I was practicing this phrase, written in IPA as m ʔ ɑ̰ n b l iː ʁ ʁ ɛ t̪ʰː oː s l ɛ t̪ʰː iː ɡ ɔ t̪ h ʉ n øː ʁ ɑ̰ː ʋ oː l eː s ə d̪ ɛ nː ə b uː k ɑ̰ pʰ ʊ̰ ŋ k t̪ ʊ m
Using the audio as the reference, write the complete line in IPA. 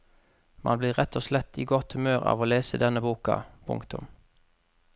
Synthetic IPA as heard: m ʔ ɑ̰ n b l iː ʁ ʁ ɛ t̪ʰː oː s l ɛ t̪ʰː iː ɡ ɔ t̪ h ʉ m øː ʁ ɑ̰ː ʋ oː l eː s ə d̪ ɛ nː ə b uː k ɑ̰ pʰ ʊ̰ ŋ k t̪ ʊ m

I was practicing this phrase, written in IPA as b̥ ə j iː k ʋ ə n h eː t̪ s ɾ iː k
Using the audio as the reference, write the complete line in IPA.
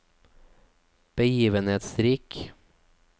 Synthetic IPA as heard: b̥ ə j iː ʋ ə n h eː t̪ s ɾ iː k

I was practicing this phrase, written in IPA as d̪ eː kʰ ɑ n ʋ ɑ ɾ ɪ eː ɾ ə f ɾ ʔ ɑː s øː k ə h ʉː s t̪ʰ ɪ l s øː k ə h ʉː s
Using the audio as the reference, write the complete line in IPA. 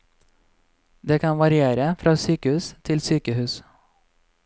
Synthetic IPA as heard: d̪ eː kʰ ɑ n ʋ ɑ ɾ ɪ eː ɾ ə f ɾ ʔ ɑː s yː k ə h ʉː s t̪ʰ ɪ l s yː k ə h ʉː s

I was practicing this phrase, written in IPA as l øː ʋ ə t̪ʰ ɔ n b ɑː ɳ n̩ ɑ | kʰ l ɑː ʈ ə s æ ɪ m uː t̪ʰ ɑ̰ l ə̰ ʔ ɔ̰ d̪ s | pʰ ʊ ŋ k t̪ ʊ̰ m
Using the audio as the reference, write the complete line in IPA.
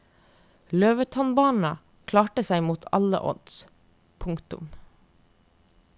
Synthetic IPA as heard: l øː ʋ ə t̪ʰ ɔ n b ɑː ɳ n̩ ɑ | kʰ l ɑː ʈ ə s æ ɪ m uː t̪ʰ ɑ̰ l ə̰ ʔ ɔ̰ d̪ s | pʰ ʊ ŋ k t̪ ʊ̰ m

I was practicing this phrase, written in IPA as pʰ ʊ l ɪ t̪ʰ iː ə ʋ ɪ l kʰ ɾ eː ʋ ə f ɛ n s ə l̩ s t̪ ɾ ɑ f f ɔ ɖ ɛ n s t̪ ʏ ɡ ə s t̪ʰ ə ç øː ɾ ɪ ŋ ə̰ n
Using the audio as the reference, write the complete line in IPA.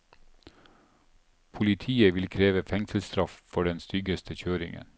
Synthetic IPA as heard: pʰ ʊ l ɪ t̪ʰ iː ə ʋ ɪ l kʰ ɾ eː ʋ ə f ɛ ŋ s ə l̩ s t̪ ɾ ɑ f f ɔ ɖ ɛ n s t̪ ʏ ɡ ə s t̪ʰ ə ç øː ɾ ɪ ŋ ə̰ n

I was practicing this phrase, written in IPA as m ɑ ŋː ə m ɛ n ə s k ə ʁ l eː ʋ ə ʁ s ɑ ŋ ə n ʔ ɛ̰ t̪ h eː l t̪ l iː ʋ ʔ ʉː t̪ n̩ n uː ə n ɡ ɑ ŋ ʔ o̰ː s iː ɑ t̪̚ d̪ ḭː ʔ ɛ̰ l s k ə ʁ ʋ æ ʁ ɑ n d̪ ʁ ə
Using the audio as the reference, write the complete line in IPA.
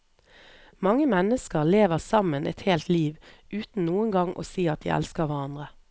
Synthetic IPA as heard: m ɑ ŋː ə m ɛ n ə s k ə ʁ l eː ʋ ə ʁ s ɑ m ə n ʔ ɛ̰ t̪ h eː l t̪ l iː ʋ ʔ ʉː t̪ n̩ n uː ə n ɡ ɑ ŋ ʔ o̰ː s iː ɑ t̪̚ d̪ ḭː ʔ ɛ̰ l s k ə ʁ ʋ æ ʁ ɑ n d̪ ʁ ə

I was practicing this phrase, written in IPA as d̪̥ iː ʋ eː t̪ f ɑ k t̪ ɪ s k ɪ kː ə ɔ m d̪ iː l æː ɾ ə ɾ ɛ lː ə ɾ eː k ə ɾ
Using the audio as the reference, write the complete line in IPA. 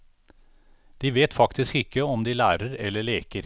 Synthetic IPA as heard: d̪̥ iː ʋ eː t̪ f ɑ k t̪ ɪ s k ɪ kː ə ɔ m d̪ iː l æː ɾ ə ɾ ɛ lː ə ɭ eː k ə ɾ

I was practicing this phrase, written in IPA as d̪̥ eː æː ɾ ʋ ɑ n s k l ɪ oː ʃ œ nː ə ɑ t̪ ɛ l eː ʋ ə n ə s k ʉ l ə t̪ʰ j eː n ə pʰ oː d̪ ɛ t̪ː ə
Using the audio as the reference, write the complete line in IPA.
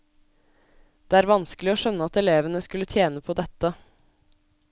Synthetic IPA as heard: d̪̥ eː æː ɾ ʋ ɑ n s k l ɪ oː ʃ œ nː ə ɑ t̪ ɛ l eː ʋ ə n ə s k ʉ l ə t̪ʰ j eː n ə pʰ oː d̪ ɛ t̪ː ə

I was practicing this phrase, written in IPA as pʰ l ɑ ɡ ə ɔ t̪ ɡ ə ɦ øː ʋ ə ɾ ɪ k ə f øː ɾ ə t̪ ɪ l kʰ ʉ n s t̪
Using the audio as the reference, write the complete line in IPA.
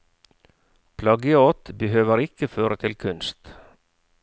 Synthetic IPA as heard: pʰ l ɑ ɡ ə ɔ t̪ b ə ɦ øː ʋ ə ɾ ɪ k ə f øː ɾ ə t̪ʰ ɪ l kʰ ʉ n s t̪

